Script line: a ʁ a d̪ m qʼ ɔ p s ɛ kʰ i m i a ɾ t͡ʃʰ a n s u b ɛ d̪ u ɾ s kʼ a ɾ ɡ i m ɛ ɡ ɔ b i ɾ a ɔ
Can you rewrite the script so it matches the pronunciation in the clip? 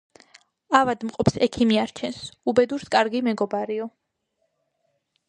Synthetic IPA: a v a d̪ m qʼ ɔ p s ɛ kʰ i m i a ɾ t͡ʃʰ ɛ n s u b ɛ d̪ u ɾ s kʼ a ɾ ɡ i m ɛ ɡ ɔ b a ɾ i ɔ

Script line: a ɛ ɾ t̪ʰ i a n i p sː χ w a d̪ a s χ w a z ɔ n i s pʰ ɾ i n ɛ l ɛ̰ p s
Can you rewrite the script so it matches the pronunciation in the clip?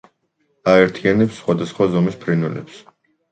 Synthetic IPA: a ɛ ɾ t̪ʰ i a n ɛ p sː χ w a d̪ a s χ w a z ɔ m i s pʰ ɾ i n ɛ l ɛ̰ p s

